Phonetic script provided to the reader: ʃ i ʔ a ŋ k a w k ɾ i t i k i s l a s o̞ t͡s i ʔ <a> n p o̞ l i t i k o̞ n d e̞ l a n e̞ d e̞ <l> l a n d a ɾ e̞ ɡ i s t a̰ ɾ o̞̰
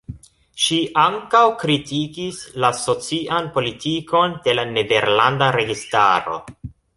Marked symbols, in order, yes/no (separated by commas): yes, no